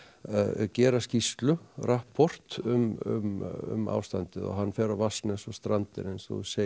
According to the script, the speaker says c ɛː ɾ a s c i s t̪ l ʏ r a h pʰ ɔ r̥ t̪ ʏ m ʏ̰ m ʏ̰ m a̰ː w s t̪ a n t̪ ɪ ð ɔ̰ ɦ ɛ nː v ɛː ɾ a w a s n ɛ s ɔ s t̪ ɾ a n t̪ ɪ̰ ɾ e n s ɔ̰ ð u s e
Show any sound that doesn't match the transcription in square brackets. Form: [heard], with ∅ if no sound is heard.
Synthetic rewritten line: c ɛː ɾ a s c i s t̪ l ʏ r a h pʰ ɔ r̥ t̪ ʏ m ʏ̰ m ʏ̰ m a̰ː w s t̪ a n t̪ ɪ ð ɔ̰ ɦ [a] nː [f] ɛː ɾ a [v] a s n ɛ s ɔ s t̪ ɾ a n t̪ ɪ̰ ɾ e n s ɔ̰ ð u s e